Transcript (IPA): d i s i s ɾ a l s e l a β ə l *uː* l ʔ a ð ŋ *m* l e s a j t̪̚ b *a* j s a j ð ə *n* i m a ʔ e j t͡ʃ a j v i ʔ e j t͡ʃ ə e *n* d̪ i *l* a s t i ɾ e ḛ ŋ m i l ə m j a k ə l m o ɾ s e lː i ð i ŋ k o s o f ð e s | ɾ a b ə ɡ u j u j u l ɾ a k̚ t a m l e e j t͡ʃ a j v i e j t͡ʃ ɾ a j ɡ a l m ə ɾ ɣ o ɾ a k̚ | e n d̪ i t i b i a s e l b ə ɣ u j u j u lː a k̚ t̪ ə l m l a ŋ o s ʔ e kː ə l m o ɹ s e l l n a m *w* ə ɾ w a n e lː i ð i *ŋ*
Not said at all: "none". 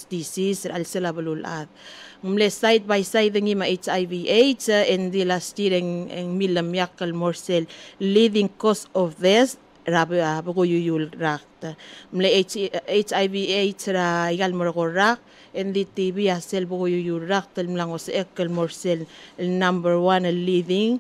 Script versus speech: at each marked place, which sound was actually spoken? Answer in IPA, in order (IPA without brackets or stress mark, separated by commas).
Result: u, m, a, ŋ, n, l, b, ŋ